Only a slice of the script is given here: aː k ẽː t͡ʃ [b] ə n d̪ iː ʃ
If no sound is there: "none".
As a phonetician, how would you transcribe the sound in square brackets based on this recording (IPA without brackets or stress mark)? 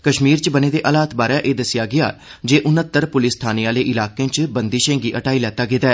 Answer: b